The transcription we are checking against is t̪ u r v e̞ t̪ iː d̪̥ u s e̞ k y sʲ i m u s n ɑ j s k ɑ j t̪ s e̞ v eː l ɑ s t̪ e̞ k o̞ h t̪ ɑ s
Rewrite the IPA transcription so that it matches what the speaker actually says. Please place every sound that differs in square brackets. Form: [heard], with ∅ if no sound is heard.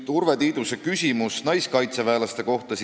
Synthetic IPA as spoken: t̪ u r v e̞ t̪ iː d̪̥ u s e̞ k y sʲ i m u s n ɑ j s k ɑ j t̪ s e̞ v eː l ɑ s t̪ e̞ k o̞ h t̪ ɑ s